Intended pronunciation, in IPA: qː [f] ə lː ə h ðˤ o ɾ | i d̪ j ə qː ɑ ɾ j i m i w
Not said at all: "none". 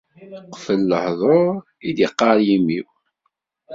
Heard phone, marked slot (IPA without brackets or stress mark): f